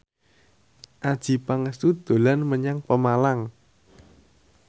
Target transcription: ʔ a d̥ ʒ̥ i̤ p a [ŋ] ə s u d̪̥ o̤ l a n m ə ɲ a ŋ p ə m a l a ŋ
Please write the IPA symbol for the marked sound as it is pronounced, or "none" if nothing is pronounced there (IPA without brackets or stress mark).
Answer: ŋ